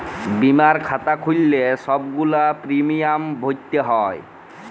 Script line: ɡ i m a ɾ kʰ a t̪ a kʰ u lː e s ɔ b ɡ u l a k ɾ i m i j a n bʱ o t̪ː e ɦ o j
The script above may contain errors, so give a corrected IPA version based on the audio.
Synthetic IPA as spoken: b i m a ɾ kʰ a t̪ a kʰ u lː e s ɔ b ɡ u l a p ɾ i m i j a m bʱ o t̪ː e ɦ ɔ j